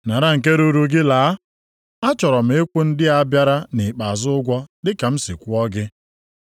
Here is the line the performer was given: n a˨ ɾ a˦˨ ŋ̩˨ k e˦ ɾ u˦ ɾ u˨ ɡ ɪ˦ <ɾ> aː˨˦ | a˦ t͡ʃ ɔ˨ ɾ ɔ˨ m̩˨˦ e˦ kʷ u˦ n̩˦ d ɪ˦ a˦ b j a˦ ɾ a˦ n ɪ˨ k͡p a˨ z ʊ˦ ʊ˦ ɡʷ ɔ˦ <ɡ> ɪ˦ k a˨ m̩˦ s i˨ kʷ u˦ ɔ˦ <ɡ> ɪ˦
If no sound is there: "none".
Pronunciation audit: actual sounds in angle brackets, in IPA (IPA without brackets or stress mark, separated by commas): l, d, ɡ